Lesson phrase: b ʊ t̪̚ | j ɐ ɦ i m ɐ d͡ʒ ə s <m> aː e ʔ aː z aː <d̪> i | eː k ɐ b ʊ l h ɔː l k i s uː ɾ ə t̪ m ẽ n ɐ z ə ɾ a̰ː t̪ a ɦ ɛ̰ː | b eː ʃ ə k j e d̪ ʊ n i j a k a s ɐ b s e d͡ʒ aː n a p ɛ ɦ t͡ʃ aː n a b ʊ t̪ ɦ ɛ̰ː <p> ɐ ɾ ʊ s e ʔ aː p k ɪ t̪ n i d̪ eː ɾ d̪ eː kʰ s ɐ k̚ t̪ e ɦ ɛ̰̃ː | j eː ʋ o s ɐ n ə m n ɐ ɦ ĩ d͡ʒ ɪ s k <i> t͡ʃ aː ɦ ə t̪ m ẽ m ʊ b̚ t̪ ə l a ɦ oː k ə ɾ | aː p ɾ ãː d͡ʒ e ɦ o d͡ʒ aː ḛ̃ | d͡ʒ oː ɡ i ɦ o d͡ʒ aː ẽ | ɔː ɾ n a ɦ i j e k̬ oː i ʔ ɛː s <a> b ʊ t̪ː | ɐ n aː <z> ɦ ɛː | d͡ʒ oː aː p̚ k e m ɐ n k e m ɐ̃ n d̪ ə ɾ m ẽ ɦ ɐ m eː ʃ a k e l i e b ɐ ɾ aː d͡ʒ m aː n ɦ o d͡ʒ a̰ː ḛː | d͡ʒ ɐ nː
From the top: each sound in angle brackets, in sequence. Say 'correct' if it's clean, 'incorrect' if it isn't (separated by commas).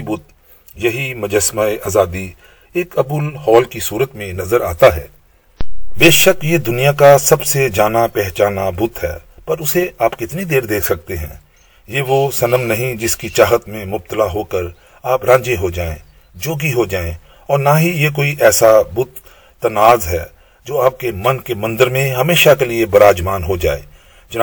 correct, correct, correct, correct, correct, correct